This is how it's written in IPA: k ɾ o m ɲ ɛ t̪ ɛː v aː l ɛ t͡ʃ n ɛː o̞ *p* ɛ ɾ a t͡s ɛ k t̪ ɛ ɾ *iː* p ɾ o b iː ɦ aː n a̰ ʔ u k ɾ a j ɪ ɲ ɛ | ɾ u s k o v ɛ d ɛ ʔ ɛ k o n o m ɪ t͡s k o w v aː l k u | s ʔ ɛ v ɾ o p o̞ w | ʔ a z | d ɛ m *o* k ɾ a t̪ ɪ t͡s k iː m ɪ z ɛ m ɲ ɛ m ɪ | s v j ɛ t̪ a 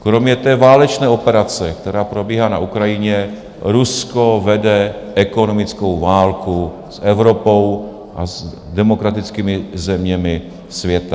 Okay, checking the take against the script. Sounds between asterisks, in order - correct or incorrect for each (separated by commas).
correct, incorrect, correct